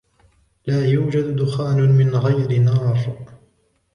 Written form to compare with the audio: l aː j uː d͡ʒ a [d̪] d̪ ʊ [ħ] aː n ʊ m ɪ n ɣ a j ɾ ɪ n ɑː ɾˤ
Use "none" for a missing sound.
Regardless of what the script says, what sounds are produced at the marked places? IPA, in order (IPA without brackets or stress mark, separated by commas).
d̪, x